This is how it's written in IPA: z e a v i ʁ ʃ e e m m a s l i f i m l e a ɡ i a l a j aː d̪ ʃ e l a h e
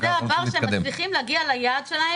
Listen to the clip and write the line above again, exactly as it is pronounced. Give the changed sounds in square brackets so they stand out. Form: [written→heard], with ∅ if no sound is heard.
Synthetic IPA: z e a v [i→a] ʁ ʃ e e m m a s l i [f→χ] i m l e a ɡ i a l a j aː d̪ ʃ e l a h e